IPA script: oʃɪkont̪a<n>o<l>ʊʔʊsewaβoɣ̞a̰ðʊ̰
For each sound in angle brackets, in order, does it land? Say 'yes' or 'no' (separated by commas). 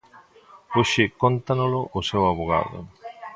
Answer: yes, yes